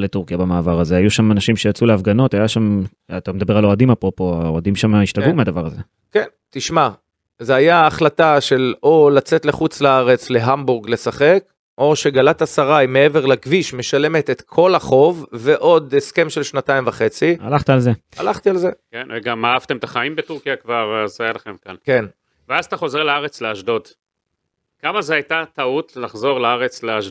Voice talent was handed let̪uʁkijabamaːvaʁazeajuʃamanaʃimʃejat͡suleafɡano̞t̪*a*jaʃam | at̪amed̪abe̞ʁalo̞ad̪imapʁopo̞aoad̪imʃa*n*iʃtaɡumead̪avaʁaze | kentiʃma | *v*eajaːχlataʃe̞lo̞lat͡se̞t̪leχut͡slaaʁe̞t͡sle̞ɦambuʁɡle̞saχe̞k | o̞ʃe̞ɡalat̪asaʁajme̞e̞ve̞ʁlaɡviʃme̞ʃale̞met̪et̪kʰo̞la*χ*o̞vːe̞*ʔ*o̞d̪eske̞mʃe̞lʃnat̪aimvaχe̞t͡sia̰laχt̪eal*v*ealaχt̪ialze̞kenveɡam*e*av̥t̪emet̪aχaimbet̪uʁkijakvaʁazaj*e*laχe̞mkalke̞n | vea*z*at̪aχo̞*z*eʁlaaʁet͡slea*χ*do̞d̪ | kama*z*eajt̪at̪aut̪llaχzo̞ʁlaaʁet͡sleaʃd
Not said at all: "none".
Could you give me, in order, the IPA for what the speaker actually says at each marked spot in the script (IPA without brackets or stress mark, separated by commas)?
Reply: a, m, z, χ, ʔ, z, a, a, z, z, ʃ, z